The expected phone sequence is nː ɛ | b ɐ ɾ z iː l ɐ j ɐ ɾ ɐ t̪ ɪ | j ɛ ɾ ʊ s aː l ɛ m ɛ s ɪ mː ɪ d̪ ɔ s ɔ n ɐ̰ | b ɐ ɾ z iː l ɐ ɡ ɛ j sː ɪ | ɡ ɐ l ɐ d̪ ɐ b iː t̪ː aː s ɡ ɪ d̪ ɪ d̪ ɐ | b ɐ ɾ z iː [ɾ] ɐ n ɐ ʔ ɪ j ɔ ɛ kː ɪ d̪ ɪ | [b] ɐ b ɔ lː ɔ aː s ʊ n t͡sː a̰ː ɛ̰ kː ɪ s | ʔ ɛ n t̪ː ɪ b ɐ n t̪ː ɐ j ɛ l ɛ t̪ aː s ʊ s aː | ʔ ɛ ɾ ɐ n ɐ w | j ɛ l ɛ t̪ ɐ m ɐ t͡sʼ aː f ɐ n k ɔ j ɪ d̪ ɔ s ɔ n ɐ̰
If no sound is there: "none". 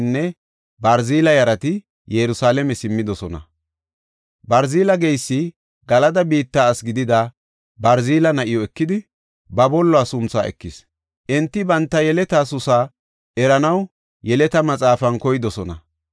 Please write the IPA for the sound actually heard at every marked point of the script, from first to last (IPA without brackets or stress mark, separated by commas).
l, b